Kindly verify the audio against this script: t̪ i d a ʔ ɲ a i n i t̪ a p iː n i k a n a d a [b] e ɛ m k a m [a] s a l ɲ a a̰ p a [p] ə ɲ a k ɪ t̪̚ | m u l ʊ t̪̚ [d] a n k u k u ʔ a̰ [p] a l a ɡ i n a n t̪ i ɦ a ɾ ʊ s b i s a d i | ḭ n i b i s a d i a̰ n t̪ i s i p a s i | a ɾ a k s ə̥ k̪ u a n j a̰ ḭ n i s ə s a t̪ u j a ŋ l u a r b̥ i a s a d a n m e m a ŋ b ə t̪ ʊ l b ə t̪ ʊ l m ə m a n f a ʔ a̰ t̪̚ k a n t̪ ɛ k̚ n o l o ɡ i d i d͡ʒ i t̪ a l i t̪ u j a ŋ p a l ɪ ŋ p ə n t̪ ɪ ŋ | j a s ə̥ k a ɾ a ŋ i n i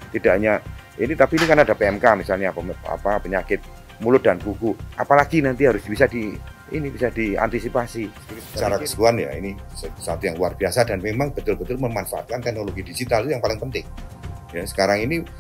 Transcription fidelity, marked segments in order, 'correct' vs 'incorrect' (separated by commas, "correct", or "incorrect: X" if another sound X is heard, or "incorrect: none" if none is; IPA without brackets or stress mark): incorrect: p, incorrect: i, correct, correct, correct